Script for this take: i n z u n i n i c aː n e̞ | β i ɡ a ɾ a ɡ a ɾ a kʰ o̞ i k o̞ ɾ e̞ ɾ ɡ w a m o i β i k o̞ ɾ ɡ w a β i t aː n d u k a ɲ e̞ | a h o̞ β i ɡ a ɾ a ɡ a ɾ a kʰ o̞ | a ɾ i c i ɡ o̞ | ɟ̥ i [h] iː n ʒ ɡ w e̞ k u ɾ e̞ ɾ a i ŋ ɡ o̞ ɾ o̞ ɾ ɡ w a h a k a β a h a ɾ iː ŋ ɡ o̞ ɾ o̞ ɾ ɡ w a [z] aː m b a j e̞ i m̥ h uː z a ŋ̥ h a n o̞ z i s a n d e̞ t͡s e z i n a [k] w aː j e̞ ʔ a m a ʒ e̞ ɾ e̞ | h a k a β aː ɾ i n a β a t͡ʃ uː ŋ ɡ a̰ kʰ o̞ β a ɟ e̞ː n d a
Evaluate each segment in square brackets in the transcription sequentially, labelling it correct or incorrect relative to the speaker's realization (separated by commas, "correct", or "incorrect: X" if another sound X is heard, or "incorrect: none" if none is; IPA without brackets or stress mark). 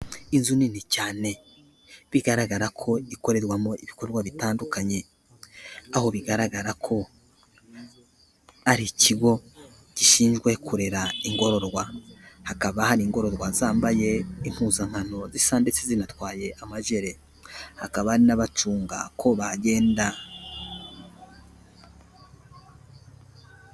incorrect: ʃ, correct, incorrect: t